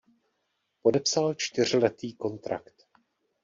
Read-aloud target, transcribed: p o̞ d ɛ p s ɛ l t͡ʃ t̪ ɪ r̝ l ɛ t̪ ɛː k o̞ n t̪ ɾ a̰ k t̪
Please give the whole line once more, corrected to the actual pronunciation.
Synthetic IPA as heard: p o̞ d ɛ p s a l t͡ʃ t̪ ɪ r̝ l ɛ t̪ iː k o̞ n t̪ ɾ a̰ k t̪